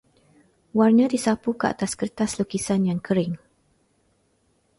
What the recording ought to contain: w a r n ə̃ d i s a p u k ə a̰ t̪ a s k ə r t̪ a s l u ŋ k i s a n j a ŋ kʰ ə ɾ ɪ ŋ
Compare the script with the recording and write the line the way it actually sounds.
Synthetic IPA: w a r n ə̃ d i s a p u k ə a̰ t̪ a s k ə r t̪ a s l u k i s a n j a ŋ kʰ ə ɾ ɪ ŋ

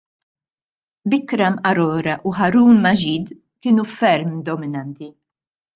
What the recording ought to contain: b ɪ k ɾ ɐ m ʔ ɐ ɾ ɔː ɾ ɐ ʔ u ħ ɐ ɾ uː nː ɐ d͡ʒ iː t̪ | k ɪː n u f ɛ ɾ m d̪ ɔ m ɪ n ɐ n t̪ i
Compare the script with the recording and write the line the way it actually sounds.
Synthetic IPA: b ɪ k ɾ ɐ m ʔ ɐ ɾ ɔː ɾ ɐ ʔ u ħ ɐ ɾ uː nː ɐ d͡ʒ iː d̪ | k ɪː n u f ɛ ɾ m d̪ ɔ m ɪ n ɐ n t̪ i

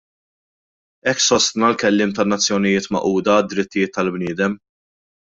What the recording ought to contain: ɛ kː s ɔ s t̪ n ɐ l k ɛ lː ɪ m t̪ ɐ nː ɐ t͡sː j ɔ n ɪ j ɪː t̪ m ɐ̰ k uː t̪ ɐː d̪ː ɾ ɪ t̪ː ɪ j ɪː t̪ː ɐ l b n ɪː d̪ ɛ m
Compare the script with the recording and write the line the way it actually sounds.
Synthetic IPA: ɛ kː s ɔ s t̪ n ɐ l k ɛ lː ɪː m t̪ ɐ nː ɐ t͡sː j ɔ n ɪ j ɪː t̪ m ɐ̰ ʔ uː d̪ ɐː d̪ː ɾ ɪ t̪ː ɪ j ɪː t̪ː ɐ l b n ɪː d̪ ɛ m

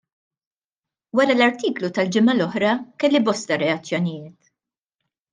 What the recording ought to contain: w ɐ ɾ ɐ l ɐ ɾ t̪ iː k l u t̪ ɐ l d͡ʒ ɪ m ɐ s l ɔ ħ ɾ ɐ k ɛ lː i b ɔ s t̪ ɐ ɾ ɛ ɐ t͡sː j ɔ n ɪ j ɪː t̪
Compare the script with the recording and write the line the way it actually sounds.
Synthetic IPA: w ɐ ɾ ɐ l ɐ ɾ t̪ iː k l u t̪ ɐ l d͡ʒ ɪ m ɐ l ɔ ħ ɾ ɐ k ɛ lː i b ɔ s t̪ ɐ ɾ ɛ ɐ t͡sː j ɔ n ɪ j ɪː t̪

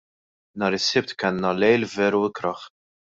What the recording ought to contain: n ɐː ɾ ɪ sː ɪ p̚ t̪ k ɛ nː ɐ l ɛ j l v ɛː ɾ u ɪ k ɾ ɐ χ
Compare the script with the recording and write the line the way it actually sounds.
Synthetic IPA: n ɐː ɾ ɪ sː ɪ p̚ t̪ k ɛ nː ɐ l ɛ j l v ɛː ɾ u ɪ k ɾ ɐ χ

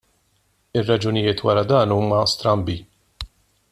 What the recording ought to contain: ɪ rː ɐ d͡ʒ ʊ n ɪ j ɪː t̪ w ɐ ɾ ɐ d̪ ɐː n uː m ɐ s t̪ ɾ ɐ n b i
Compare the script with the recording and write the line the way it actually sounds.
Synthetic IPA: ɪ rː ɐ d͡ʒ ʊ n ɪ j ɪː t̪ w ɐ ɾ ɐ d̪ ɐː n uː m ɐ s t̪ ɾ ɐ m b i

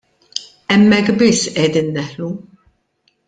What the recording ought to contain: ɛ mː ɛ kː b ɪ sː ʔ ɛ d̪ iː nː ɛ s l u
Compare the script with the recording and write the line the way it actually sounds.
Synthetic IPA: ɛ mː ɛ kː b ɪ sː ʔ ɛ d̪ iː nː ɛ ħ l u

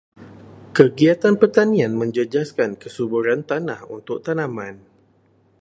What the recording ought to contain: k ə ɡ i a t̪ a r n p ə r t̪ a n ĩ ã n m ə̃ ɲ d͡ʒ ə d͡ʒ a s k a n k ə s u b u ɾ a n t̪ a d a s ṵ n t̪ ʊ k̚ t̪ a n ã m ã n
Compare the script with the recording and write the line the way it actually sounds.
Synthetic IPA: k ə ɡ i a t̪ a n p ə r t̪ a n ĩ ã n m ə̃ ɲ d͡ʒ ə d͡ʒ a s k a n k ə s u b u ɾ a n t̪ a n a h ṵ n t̪ ʊ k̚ t̪ a n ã m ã n

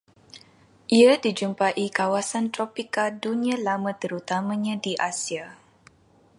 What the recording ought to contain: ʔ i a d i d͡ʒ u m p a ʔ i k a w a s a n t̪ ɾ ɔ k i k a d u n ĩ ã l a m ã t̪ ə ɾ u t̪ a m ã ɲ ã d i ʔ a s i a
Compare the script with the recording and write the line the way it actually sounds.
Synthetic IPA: ʔ i a d i d͡ʒ u m p a ʔ i k a w a s a n t̪ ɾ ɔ p i k a d u n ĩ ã l a m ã t̪ ə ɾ u t̪ a m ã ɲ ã d i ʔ a s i a

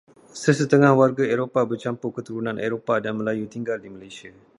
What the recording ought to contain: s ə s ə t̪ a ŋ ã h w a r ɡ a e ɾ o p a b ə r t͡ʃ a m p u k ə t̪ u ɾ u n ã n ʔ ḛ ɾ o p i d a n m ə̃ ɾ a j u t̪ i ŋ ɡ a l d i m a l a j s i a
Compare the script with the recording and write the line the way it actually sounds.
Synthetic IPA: s ə s ə t̪ ə ŋ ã h w a r ɡ a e ɾ o p a b ə r t͡ʃ a m p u k ə t̪ u ɾ u n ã n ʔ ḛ ɾ o p a d a n m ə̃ l a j u t̪ i ŋ ɡ a l d i m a l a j s i a

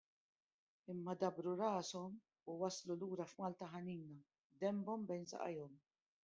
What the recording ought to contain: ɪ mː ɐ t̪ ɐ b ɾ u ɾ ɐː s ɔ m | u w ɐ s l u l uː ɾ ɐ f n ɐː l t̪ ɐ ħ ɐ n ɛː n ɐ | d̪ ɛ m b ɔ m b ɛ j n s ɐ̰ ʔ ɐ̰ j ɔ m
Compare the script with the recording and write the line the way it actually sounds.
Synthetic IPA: ɪ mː ɐ d̪ ɐ b ɾ u ɾ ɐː s ɔ m | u w ɐ s l u l uː ɾ ɐ f m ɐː l t̪ ɐ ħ ɐ n iː n ɐ | d̪ ɛ m b ɔ m b ɛ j n s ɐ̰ ʔ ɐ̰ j ɔ m

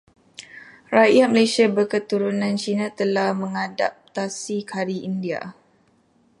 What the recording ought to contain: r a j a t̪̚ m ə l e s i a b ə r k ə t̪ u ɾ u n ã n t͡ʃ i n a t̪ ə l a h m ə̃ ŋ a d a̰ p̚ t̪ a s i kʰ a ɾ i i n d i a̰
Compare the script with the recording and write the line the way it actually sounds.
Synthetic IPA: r a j a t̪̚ m ə l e s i a b ə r k ə t̪ u ɾ u n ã n t͡ʃ i n a t̪ ə l a h m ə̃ ŋ a d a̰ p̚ t̪ a s i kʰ a ɾ i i n d i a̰

